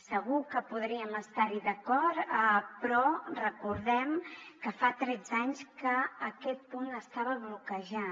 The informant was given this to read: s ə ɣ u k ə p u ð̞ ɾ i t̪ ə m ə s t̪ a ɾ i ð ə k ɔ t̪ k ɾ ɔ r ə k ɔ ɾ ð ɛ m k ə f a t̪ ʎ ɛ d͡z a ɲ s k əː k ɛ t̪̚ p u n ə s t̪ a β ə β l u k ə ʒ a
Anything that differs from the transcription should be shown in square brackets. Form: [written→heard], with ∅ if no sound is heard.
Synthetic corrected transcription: s ə ɣ u k ə p u ð̞ ɾ i [t̪→∅] ə m ə s t̪ a ɾ i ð ə k ɔ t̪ [k→p] ɾ ɔ r ə k [ɔ→u] ɾ ð ɛ m k ə f a t̪ [ʎ→ɾ] ɛ d͡z a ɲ s k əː k ɛ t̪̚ p u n ə s t̪ a β ə β l u k ə ʒ a

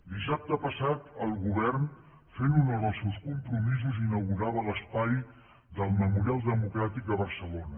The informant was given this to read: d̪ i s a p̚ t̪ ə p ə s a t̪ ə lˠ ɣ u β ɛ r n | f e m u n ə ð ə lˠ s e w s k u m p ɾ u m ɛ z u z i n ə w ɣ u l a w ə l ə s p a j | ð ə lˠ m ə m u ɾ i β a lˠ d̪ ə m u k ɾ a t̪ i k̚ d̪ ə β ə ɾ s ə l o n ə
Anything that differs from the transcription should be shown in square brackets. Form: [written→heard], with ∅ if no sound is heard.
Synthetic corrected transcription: d̪ i s a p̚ t̪ ə p ə s a t̪ ə lˠ ɣ u β ɛ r n | f e [m→n] u n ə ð ə lˠ s e w s k u m p ɾ u m [ɛ→i] z u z i n ə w ɣ u [l→ɾ] a [w→β] ə l ə s p a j | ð ə lˠ m ə m u ɾ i [β→∅] a lˠ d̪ ə m u k ɾ a t̪ i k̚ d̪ ə β ə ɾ s ə l o n ə

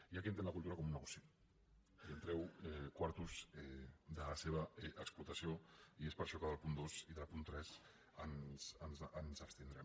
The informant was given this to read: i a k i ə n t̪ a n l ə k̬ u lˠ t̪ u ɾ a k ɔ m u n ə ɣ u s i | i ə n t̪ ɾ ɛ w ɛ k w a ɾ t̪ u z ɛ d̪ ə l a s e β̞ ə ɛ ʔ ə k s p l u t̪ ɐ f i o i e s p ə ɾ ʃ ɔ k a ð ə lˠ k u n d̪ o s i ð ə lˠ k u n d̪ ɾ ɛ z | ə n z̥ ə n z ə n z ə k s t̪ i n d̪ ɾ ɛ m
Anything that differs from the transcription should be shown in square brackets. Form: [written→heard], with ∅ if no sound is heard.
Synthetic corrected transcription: i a k i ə n t̪ [a→e] n l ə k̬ u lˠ t̪ u ɾ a k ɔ m u n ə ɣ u s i | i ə n t̪ ɾ ɛ w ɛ k w a ɾ t̪ u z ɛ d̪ ə l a s e β̞ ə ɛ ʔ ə k s p l u t̪ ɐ [f→s] i o i e s p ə ɾ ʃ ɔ k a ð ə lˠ [k→p] u n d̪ o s i ð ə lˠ [k→p] u n [d̪→t̪] ɾ ɛ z | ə n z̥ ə n z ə n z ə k s t̪ i n d̪ ɾ ɛ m

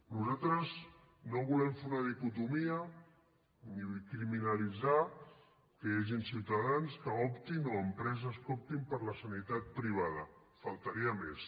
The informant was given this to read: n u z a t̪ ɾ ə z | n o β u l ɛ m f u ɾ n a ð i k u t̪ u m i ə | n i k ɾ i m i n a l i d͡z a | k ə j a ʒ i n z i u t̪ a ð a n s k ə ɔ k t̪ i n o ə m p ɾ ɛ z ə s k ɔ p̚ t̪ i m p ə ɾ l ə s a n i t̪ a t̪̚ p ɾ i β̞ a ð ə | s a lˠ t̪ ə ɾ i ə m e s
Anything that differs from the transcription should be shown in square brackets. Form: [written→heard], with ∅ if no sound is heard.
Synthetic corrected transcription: n u z a t̪ ɾ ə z | n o β u l ɛ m f u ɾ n a ð i k u t̪ u m i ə | n i k ɾ i m i n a l i d͡z a | k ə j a ʒ i n [z→s] i [u→w] t̪ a ð a n s k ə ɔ [k→p] t̪ i n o ə m p ɾ ɛ z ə s k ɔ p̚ t̪ i m p ə ɾ l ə s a n i t̪ a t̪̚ p ɾ i β̞ a ð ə | [s→f] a lˠ t̪ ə ɾ i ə m e s

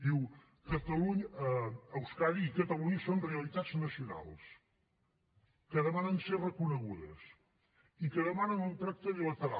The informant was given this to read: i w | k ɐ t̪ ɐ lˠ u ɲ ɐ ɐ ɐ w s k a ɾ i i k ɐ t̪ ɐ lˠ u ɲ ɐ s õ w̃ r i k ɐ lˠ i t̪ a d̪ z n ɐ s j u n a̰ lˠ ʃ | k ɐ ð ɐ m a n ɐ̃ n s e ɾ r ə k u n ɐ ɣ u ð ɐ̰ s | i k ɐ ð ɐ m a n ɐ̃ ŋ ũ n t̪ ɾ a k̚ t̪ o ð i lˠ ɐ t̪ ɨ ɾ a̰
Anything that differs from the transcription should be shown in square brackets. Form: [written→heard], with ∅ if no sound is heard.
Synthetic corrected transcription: i w | k ɐ t̪ ɐ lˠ u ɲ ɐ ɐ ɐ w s k a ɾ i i k ɐ t̪ ɐ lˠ u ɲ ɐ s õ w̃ r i [k→∅] ɐ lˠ i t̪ a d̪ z n ɐ s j u n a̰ lˠ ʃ | k ɐ ð ɐ m a n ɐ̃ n s e ɾ r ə k u n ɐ ɣ u ð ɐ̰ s | i k ɐ ð ɐ m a n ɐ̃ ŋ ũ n t̪ ɾ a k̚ t̪ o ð i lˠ ɐ t̪ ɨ ɾ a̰

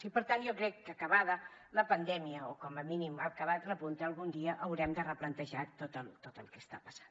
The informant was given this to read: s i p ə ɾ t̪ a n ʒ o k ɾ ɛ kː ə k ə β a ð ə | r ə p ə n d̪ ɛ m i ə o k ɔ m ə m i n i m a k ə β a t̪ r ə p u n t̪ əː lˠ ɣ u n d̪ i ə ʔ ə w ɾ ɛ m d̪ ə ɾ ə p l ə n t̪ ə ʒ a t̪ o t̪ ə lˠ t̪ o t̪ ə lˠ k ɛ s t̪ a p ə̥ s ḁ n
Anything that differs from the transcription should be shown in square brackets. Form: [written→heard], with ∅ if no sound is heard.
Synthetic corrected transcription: s i p ə ɾ t̪ a n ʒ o k ɾ ɛ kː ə k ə β a ð ə | [r→l] ə p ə n d̪ ɛ m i ə o k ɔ m ə m i n i m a k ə β a t̪ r ə p u n t̪ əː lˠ ɣ u n d̪ i ə ʔ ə w ɾ ɛ m d̪ ə [ɾ→r] ə p l ə n t̪ ə ʒ a t̪ o t̪ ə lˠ t̪ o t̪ ə lˠ k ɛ s t̪ a p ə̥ s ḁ n

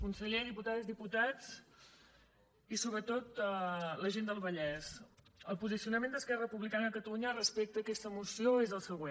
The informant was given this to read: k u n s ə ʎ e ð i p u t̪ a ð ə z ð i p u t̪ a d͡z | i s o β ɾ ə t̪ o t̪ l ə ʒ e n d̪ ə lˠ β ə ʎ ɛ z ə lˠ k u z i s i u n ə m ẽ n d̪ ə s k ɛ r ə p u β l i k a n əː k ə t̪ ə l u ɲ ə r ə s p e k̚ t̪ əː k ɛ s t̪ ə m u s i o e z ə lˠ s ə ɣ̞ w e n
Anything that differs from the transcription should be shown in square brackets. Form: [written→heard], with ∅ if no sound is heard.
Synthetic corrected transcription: k u n s ə ʎ e ð i p u t̪ a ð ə z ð i p u t̪ a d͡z | i s o β ɾ ə t̪ o t̪ l ə ʒ e n d̪ ə lˠ β ə ʎ ɛ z ə lˠ [k→p] u z i s i u n ə m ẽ n d̪ ə s k ɛ r ə p u β l i k a n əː k ə t̪ ə l u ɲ ə r ə s p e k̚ t̪ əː k ɛ s t̪ ə m u s i o e z ə lˠ s ə ɣ̞ w e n

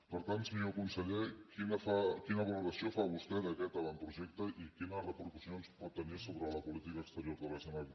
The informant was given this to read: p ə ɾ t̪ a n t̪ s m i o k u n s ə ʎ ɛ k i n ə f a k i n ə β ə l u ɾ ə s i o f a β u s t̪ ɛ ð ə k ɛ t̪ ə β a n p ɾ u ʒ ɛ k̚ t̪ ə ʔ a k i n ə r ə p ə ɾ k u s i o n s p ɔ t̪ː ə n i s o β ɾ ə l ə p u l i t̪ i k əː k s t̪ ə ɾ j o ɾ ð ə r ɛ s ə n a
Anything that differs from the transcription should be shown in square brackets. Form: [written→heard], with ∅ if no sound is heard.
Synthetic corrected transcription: p ə ɾ t̪ a n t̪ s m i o k u n s ə ʎ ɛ k i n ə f a k i n ə β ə l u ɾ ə s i o f a β u s t̪ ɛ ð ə k ɛ t̪ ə β a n p ɾ u ʒ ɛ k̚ t̪ ə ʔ [a→i] k i n ə r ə p ə ɾ k u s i o n s p ɔ t̪ː ə n i s o β ɾ ə l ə p u l i t̪ i k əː k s t̪ ə ɾ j o ɾ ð ə [r→l] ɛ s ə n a

